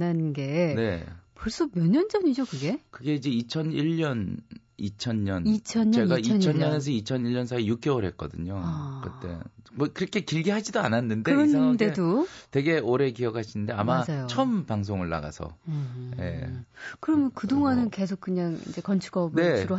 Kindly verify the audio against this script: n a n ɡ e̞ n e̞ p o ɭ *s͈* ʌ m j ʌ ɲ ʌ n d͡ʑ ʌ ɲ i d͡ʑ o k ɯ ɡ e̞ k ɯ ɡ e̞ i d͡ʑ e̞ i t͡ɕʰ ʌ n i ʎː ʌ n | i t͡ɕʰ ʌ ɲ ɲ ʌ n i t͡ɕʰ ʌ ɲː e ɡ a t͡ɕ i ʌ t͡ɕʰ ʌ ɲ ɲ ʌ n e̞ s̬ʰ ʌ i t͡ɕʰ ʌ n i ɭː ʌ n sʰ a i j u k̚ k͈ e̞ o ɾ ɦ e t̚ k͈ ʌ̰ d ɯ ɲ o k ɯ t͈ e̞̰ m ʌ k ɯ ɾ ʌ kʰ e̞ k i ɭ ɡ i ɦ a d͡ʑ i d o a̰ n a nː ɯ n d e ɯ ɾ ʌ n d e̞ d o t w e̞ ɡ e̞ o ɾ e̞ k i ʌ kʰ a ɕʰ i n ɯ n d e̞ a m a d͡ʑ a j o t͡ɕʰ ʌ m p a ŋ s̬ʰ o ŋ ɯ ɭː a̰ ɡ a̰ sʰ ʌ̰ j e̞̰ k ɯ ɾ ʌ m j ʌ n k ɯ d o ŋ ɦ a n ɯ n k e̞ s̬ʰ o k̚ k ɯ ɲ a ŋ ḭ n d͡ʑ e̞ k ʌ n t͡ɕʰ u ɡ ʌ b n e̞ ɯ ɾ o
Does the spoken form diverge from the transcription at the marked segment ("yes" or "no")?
no